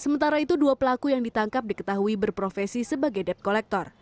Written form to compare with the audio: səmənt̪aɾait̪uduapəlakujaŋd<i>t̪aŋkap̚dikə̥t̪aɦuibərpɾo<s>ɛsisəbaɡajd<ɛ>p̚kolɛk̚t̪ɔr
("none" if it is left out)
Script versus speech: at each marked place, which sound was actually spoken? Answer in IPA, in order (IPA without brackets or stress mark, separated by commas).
i, f, ɛ